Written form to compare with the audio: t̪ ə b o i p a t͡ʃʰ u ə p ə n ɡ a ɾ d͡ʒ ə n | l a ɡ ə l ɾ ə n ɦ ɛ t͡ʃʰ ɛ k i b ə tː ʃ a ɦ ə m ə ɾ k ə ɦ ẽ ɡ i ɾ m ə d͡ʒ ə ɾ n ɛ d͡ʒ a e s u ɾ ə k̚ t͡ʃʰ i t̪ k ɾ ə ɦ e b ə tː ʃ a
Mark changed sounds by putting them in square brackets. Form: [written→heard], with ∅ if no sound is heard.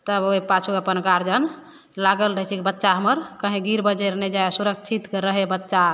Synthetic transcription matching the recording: t̪ ə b o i p a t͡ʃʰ u ə p ə n ɡ a ɾ d͡ʒ ə n | l a ɡ ə l ɾ ə [n→∅] ɦ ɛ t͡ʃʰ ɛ k i b ə tː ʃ a ɦ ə m ə ɾ k ə ɦ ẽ ɡ i ɾ [m→b] ə d͡ʒ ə ɾ n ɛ d͡ʒ a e s u ɾ ə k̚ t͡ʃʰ i t̪ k ɾ ə ɦ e b ə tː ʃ a